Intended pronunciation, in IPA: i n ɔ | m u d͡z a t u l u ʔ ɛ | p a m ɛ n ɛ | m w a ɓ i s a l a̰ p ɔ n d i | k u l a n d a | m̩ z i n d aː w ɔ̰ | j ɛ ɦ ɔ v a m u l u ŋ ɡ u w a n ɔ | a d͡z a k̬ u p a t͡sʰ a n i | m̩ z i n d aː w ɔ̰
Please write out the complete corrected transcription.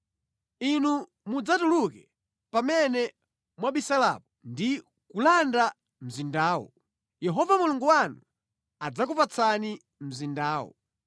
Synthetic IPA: i n u | m u d͡z a t u l u k ɛ | p a m ɛ n ɛ | m w a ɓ i s a l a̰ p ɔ n d i | k u l a n d a | m̩ z i n d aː w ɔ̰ | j ɛ ɦ ɔ v a m u l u ŋ ɡ u w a n u | a d͡z a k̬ u p a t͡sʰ a n i | m̩ z i n d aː w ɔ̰